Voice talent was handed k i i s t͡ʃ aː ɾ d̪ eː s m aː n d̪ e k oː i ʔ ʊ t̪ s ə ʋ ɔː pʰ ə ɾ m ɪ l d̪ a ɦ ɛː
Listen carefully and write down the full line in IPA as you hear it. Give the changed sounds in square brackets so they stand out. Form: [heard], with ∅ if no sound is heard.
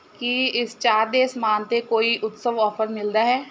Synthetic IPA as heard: k i [ɪ] s t͡ʃ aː ɾ d̪ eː s m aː n [t̪] e k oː i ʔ ʊ t̪ s ə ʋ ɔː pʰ ə ɾ m ɪ l d̪ a ɦ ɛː